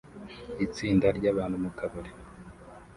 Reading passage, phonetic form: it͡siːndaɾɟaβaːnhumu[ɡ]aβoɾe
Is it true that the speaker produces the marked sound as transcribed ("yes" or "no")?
no